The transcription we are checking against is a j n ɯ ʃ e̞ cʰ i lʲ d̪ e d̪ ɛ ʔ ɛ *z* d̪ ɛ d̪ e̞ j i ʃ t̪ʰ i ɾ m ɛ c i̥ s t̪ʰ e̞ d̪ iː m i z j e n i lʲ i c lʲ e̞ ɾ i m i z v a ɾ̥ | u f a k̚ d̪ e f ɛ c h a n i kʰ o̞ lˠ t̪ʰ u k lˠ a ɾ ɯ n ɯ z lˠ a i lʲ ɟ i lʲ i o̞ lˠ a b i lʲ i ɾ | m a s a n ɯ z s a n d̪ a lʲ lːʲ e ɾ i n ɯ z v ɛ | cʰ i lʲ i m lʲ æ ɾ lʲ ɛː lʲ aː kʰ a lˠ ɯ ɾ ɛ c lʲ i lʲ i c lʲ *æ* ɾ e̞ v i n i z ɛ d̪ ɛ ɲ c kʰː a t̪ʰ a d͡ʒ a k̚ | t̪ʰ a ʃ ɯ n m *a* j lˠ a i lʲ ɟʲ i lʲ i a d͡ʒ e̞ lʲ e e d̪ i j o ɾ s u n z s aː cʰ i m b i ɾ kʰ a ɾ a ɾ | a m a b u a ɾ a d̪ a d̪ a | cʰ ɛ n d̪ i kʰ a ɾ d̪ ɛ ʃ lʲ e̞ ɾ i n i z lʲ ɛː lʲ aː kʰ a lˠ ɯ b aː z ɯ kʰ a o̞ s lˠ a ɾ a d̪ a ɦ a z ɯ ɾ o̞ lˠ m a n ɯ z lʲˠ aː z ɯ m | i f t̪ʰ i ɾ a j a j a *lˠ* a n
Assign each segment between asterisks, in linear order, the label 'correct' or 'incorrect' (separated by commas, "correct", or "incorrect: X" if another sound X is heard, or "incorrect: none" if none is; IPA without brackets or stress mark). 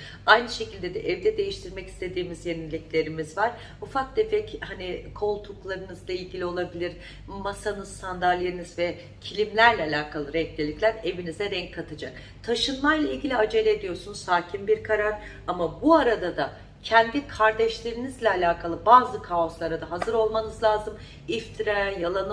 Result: incorrect: v, correct, correct, correct